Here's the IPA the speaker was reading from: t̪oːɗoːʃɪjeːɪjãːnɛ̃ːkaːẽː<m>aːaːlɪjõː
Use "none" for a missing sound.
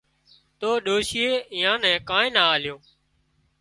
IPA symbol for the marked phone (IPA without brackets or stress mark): n